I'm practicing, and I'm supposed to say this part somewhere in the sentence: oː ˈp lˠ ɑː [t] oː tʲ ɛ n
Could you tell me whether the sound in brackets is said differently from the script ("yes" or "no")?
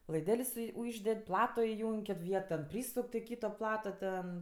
no